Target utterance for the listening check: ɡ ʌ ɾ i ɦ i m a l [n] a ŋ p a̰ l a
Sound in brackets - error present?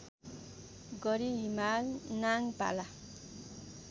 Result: no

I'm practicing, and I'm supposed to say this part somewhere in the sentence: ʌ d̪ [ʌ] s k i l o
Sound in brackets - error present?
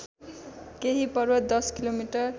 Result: no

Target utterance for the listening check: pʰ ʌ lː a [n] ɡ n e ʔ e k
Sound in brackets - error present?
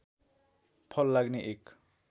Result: yes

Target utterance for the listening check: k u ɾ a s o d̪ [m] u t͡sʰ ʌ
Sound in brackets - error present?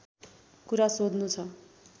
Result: yes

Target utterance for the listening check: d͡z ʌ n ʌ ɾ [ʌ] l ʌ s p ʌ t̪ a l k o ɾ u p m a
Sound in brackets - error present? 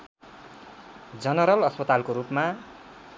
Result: no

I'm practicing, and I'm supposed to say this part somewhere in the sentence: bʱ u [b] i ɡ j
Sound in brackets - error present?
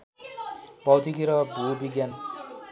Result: no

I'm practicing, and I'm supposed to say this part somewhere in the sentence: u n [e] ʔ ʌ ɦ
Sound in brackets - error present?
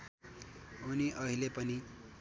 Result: yes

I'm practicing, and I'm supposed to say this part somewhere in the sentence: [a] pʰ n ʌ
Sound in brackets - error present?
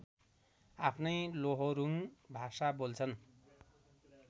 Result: no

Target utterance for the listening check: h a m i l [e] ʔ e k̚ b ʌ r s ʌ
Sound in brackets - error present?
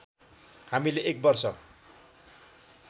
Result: no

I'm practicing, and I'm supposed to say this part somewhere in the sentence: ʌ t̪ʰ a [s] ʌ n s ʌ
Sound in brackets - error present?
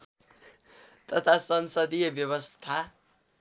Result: no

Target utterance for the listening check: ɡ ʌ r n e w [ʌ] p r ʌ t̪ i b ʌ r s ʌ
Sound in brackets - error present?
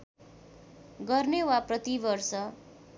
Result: yes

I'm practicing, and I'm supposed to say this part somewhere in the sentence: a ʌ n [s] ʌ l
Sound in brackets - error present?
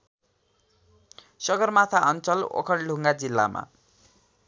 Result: yes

